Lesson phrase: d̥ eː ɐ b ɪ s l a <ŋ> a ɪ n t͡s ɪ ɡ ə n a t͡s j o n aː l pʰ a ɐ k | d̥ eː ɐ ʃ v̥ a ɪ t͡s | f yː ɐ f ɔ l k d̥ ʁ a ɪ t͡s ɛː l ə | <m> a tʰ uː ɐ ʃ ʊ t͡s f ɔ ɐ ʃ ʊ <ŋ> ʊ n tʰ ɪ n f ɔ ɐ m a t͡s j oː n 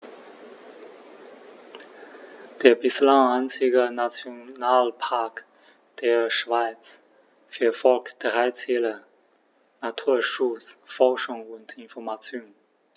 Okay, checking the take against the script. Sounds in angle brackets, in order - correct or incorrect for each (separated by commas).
correct, incorrect, correct